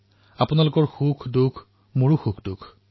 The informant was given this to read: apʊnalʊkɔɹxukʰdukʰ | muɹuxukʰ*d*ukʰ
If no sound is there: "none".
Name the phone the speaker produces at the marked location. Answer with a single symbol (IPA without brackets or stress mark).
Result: d